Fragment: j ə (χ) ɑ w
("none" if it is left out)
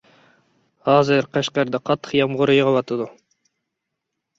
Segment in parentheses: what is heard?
ʁ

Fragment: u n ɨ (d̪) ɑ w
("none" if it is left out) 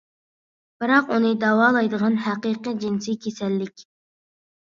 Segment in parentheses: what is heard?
d̪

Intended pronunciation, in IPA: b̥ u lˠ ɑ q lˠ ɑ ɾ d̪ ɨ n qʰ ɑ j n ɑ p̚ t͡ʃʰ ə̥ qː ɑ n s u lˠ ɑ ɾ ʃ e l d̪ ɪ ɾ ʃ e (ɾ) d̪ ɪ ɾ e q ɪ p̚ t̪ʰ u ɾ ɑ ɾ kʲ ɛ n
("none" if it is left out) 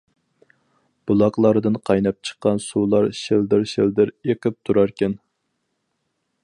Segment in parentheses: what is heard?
l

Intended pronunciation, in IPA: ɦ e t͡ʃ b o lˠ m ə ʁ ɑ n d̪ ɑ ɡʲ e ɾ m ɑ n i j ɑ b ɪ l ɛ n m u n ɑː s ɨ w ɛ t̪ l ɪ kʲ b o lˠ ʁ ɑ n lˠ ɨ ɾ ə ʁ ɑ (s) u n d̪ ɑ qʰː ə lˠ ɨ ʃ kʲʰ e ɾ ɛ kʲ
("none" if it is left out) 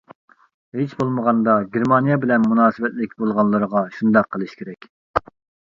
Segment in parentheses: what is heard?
ʃ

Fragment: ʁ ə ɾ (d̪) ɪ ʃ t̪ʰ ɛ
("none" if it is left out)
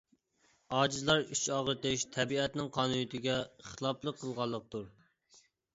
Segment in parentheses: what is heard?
t̪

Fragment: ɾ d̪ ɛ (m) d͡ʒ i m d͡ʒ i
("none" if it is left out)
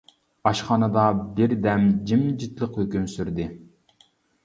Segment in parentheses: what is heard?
m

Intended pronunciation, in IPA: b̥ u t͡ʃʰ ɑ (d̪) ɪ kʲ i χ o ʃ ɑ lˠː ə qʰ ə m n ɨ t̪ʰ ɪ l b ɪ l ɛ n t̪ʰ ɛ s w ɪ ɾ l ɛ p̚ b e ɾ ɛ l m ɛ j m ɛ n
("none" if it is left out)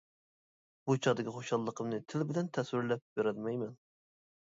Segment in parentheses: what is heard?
d̪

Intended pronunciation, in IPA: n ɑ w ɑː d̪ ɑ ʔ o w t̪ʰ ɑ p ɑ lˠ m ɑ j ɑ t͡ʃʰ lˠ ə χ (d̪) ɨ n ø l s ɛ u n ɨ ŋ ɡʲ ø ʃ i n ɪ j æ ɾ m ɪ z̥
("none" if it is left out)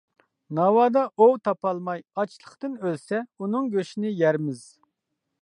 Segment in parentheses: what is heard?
t̪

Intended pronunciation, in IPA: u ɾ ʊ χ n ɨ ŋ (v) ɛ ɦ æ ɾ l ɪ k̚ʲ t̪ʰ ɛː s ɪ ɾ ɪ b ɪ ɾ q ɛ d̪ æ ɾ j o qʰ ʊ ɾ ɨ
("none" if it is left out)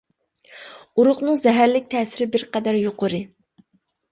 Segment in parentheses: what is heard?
z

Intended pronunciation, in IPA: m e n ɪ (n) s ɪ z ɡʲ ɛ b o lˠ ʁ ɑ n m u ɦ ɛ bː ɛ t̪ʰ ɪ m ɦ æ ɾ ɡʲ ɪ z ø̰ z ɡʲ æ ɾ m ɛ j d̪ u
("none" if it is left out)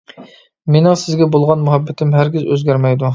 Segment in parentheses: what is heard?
ŋ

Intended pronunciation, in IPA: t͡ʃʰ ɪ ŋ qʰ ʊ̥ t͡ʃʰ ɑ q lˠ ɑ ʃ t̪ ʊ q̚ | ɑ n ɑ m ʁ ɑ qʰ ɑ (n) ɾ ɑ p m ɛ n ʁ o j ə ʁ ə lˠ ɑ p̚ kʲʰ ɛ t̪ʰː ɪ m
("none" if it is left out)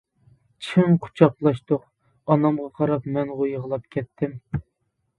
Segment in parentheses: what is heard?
none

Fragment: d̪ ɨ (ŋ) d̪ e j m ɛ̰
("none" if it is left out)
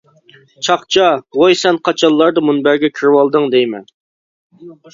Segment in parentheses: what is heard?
ŋ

